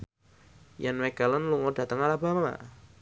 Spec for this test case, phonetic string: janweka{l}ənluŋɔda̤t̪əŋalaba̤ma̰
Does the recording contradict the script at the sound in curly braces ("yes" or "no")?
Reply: no